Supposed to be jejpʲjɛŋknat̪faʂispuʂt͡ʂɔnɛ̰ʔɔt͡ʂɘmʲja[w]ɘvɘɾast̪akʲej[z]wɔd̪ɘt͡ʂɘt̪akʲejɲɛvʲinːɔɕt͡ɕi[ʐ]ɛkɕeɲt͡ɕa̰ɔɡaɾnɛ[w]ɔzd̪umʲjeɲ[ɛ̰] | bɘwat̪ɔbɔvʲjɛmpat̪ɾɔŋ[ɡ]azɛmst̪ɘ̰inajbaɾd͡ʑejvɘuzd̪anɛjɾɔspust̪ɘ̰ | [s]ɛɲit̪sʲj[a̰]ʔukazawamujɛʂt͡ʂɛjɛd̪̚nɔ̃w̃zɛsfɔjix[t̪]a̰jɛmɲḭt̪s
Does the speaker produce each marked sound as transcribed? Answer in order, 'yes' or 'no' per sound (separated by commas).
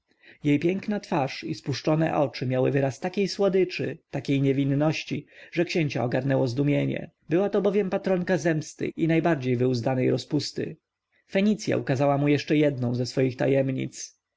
yes, no, yes, yes, yes, no, no, yes, yes